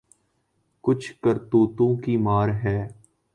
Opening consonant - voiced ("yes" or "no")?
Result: no